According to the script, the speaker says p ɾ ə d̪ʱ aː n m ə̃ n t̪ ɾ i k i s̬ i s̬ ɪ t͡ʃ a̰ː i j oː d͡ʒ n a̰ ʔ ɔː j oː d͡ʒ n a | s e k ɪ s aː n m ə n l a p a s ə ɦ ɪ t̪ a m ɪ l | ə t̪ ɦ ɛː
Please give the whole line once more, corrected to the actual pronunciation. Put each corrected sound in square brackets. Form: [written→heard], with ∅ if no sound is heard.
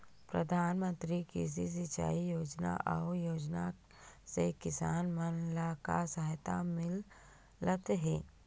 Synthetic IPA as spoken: p ɾ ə d̪ʱ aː n m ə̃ n t̪ ɾ i k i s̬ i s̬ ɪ t͡ʃ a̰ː i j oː d͡ʒ n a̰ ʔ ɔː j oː d͡ʒ n a | s e k ɪ s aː n m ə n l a [p→k] a s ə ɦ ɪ t̪ a m ɪ l | ə t̪ ɦ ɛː